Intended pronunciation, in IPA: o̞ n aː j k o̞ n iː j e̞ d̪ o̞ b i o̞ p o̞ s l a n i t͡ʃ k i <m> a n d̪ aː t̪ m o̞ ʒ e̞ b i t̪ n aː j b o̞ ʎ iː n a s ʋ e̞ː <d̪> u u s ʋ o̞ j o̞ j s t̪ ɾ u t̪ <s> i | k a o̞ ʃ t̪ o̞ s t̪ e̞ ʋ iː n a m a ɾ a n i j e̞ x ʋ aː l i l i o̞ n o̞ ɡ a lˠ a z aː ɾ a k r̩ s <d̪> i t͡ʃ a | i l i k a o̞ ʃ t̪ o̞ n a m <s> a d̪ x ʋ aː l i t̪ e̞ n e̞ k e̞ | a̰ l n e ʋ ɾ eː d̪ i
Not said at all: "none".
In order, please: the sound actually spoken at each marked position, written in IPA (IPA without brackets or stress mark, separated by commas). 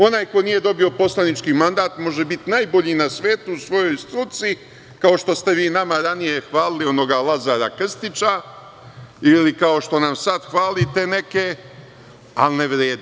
m, t̪, s, t̪, s